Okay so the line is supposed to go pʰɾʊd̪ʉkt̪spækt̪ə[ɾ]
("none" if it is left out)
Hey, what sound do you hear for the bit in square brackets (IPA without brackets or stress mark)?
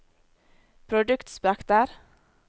ɾ